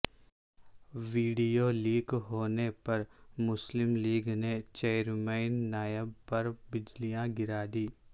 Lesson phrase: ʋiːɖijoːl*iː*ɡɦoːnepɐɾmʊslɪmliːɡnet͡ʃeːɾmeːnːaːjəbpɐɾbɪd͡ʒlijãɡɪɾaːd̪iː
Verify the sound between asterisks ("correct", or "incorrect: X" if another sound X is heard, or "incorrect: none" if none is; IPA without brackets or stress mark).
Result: correct